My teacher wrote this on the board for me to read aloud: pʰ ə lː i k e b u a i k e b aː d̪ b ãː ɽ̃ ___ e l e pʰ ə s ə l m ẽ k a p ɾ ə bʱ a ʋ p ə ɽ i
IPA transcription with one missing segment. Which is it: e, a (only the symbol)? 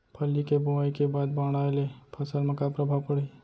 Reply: a